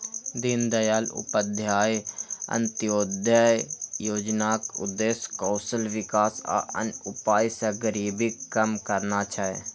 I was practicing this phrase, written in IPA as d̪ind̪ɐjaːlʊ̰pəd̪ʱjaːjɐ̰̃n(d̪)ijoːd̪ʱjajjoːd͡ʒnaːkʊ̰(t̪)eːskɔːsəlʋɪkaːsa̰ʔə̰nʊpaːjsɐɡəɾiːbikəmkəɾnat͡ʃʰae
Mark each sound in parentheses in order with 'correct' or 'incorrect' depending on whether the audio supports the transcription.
incorrect: t̪, incorrect: d̪

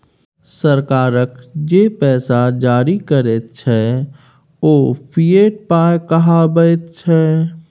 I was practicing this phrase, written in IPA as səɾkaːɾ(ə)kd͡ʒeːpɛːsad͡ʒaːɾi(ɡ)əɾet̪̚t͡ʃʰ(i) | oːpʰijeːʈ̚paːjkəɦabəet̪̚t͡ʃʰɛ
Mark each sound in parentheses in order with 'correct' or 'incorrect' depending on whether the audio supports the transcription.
correct, incorrect: k, incorrect: ɛ

